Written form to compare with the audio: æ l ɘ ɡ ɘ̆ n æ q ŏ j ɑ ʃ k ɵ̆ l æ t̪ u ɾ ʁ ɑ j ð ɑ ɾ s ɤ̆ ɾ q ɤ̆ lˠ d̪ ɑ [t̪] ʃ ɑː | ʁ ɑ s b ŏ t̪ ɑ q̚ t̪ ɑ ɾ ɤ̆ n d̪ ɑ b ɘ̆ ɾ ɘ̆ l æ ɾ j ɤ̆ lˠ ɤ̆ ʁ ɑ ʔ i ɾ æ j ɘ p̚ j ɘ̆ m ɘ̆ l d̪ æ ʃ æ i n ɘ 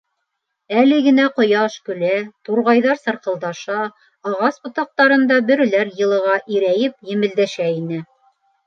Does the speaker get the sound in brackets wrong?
yes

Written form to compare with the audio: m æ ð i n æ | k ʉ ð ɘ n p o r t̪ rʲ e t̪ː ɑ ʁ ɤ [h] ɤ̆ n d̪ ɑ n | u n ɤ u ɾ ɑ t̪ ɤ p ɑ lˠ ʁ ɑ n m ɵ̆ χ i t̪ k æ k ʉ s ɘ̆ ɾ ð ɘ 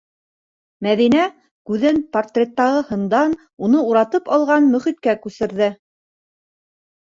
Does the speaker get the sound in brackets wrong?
no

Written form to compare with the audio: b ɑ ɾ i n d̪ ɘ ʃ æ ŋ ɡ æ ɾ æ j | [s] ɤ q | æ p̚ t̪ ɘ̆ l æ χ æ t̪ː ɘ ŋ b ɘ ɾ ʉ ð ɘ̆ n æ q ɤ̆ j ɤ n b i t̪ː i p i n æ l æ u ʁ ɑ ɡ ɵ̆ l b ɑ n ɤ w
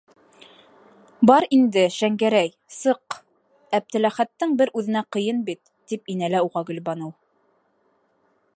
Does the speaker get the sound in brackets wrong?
no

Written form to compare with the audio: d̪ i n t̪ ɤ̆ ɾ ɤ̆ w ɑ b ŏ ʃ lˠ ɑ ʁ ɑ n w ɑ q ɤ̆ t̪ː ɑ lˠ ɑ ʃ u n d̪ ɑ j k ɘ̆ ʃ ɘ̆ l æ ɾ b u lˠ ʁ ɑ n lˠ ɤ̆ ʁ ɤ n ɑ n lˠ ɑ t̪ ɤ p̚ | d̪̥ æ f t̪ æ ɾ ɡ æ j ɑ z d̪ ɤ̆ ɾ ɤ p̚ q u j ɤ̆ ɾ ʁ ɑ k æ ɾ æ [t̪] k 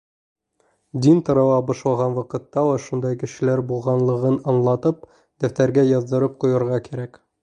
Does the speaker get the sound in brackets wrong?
yes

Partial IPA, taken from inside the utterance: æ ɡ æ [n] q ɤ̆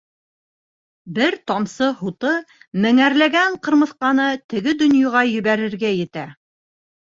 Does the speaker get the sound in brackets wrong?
yes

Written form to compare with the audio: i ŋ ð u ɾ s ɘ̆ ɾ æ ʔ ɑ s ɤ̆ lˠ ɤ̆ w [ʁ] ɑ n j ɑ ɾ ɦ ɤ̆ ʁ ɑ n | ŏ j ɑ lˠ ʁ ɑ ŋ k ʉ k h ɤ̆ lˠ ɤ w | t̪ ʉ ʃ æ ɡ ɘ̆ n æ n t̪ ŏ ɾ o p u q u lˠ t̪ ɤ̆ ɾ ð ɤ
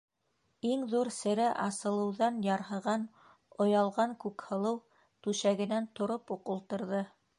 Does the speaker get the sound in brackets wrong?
yes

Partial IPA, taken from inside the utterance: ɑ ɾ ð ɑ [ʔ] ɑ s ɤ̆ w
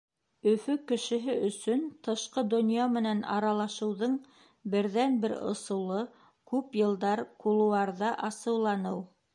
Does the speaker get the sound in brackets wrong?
no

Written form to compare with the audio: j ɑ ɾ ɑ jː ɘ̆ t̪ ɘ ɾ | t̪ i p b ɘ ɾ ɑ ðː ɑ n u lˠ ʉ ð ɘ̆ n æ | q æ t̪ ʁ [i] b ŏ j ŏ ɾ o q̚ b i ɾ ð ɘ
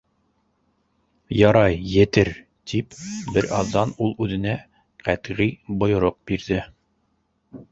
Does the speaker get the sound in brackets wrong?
no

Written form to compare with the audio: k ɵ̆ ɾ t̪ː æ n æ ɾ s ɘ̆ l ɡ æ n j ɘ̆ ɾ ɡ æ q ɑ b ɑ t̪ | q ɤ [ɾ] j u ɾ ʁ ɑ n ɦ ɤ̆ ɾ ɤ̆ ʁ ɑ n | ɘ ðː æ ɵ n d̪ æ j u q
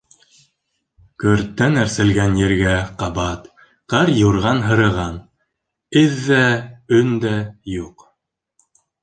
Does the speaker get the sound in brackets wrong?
no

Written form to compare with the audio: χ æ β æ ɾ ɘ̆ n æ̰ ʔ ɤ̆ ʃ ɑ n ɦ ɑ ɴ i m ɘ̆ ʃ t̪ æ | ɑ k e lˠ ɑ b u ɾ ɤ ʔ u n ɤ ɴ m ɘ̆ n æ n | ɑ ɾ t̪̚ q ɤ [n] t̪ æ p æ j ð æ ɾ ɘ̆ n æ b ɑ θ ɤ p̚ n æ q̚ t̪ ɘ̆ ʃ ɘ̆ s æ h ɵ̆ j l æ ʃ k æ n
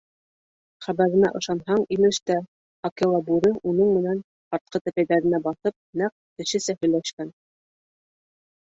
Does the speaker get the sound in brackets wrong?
yes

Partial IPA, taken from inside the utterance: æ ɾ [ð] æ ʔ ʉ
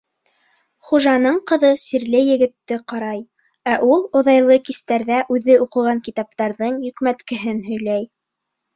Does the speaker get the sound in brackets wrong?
no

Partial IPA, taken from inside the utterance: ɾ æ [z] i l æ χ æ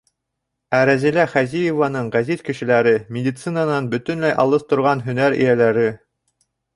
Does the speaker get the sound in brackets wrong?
no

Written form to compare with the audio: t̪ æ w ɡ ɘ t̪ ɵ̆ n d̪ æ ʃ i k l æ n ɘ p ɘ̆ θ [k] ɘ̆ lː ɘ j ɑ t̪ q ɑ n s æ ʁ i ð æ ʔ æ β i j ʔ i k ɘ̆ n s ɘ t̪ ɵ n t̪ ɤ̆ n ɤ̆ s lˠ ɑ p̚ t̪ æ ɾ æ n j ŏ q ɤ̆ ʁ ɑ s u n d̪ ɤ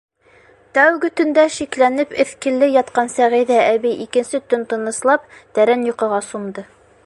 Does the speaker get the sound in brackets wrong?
no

